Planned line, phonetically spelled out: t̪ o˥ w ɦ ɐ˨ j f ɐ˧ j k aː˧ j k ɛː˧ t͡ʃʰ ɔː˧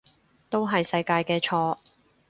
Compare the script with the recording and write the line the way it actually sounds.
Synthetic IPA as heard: t̪ o˥ w ɦ ɐ˨ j s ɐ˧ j k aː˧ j k ɛː˧ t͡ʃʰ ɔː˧